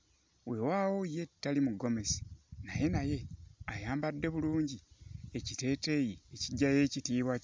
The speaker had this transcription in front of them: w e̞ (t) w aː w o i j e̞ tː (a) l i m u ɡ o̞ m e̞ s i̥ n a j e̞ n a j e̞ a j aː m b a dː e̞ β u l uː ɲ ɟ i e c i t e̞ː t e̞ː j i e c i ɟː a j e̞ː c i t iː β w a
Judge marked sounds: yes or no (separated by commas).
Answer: no, yes